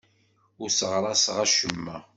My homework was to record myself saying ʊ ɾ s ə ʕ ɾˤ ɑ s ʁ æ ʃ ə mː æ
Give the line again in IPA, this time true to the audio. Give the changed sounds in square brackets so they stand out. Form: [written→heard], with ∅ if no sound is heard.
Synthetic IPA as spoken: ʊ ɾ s ə [ʕ→ʁ] ɾˤ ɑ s ʁ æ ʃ ə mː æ